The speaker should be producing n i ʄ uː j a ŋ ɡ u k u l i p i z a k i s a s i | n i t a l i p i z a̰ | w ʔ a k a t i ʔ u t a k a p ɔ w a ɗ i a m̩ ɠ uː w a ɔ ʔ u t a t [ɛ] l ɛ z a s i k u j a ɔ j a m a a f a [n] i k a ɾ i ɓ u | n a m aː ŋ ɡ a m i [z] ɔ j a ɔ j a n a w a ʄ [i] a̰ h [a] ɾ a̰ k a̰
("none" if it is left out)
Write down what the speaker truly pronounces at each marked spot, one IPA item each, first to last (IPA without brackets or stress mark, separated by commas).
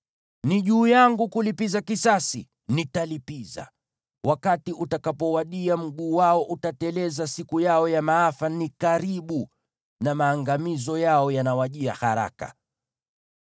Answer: ɛ, n, z, i, a